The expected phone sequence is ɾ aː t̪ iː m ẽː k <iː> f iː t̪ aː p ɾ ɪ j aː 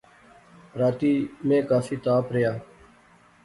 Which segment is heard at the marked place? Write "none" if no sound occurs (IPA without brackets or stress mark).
aː